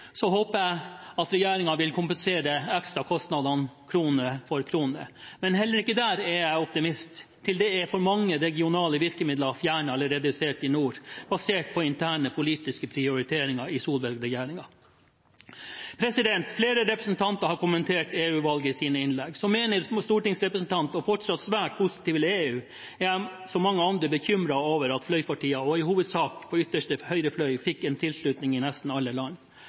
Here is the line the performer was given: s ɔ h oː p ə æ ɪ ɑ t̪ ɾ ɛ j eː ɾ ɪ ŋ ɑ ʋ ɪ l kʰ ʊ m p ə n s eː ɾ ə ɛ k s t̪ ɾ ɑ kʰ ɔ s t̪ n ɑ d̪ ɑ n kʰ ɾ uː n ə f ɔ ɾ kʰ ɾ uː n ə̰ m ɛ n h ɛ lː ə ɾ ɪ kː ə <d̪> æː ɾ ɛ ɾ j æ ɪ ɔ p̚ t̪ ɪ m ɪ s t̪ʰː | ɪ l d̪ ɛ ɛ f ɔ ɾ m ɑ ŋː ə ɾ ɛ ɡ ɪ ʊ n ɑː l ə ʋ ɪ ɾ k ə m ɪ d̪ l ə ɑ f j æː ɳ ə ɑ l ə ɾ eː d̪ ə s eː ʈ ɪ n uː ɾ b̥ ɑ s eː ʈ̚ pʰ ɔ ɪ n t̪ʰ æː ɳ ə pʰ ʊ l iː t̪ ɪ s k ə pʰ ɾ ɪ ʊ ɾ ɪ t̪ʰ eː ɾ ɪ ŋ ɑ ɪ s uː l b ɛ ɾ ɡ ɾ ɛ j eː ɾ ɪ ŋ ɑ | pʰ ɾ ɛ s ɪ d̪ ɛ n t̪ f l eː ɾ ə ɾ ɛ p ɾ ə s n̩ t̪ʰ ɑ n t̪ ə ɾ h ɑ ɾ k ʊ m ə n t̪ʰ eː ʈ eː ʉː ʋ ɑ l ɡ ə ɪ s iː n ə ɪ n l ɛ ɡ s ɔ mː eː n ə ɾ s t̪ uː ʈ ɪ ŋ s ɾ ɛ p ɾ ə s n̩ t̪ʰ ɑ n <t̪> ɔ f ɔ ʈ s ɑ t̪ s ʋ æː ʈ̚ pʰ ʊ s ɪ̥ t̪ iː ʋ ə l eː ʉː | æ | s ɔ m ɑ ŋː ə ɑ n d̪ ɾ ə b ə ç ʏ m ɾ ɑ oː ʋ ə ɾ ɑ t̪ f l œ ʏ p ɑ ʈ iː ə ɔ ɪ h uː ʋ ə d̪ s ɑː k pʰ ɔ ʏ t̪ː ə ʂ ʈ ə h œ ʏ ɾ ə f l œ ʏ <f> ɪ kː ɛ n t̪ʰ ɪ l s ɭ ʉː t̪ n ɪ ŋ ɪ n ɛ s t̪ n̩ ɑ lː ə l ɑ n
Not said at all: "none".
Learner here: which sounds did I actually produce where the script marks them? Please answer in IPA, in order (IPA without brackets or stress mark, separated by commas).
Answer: d̪, t̪, f